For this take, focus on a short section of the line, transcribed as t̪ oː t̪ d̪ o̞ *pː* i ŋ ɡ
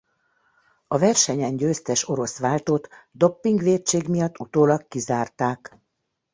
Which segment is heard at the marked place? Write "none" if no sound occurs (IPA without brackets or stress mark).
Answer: pː